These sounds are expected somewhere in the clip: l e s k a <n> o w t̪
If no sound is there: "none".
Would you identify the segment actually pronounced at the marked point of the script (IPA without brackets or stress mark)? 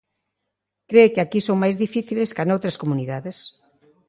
n